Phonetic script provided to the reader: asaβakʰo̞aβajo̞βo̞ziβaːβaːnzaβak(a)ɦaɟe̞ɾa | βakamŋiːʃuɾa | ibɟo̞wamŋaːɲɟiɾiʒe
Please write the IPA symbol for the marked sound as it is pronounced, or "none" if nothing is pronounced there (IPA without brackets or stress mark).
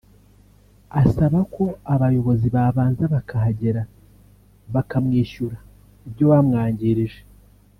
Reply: a